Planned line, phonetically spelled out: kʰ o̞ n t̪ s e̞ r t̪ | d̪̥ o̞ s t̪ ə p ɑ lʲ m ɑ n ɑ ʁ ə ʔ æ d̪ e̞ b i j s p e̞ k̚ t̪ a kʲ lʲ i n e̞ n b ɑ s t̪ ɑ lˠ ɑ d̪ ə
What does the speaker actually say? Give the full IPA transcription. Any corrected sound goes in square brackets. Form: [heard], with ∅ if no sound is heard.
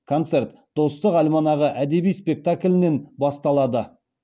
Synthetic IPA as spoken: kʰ o̞ n t̪ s e̞ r t̪ | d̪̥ o̞ s t̪ ə [q] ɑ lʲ m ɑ n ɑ ʁ ə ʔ æ d̪ e̞ b i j s p e̞ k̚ t̪ a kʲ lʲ [ɪ] n e̞ n b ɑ s t̪ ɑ lˠ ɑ d̪ ə